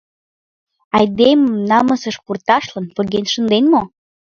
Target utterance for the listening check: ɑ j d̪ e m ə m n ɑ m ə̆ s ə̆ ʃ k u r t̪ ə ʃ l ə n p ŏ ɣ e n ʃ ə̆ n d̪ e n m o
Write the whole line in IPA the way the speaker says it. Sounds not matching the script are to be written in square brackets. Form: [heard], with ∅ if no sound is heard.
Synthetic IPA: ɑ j d̪ e m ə m n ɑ m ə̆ s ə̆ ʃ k u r t̪ [ɑ] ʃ l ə n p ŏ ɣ e n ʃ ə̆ n d̪ e n m o